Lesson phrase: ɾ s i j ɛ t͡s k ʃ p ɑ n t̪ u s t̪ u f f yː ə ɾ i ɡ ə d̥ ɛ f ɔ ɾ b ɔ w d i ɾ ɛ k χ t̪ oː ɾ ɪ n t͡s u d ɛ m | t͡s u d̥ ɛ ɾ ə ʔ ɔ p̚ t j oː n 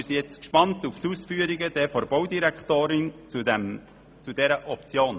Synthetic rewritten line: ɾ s i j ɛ t͡s k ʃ p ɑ n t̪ u f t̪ u s f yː ə ɾ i ɡ ə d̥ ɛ f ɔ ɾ b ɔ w d i ɾ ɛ k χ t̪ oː ɾ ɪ n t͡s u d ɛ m | t͡s u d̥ ɛ ɾ ə ʔ ɔ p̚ t͡s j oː n